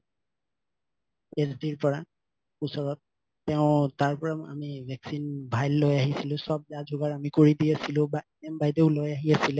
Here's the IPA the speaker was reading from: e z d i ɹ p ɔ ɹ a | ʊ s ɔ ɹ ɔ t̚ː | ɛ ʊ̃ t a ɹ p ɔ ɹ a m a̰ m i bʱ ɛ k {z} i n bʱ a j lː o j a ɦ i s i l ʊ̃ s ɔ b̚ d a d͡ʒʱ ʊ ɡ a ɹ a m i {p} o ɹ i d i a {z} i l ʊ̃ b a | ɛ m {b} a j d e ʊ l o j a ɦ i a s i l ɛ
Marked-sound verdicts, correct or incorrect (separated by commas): incorrect, incorrect, incorrect, correct